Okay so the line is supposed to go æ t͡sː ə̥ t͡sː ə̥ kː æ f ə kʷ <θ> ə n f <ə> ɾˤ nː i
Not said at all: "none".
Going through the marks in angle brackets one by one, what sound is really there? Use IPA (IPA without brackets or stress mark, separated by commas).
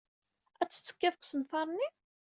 s, ɑ